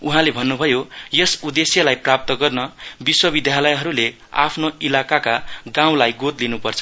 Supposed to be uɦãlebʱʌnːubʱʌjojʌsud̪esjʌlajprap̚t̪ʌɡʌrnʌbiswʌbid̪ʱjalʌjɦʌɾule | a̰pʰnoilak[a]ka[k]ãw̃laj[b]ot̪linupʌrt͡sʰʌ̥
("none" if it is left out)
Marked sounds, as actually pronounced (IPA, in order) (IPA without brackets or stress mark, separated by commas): a, ɡ, ɡ